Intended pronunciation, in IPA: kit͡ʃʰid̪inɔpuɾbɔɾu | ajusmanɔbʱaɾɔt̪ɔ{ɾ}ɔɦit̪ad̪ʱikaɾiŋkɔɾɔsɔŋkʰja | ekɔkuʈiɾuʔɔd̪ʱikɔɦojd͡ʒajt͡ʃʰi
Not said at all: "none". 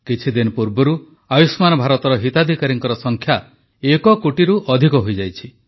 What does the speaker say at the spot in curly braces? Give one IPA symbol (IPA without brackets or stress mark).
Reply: ɾ